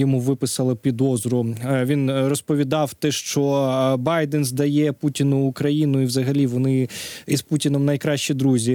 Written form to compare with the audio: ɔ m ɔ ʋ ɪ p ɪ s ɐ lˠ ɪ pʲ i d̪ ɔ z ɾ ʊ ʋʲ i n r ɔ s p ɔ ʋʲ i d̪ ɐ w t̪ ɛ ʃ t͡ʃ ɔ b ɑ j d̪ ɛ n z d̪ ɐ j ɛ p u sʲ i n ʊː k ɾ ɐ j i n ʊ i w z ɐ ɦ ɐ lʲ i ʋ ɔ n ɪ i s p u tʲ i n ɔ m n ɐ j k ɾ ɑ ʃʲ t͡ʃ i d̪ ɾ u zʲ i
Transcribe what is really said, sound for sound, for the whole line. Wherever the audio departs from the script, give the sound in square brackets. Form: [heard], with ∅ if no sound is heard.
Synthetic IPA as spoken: ɔ m [u] ʋ ɪ p ɪ s ɐ lˠ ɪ pʲ i d̪ ɔ z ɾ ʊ ʋʲ i n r ɔ s p ɔ ʋʲ i d̪ [ɑ] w t̪ ɛ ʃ t͡ʃ ɔ b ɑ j d̪ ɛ n z d̪ ɐ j ɛ p u [tʲ] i n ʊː k ɾ ɐ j i n ʊ i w z ɐ ɦ ɐ lʲ i ʋ ɔ n ɪ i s p u tʲ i n ɔ m n ɐ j k ɾ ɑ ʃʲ t͡ʃ i d̪ ɾ u zʲ i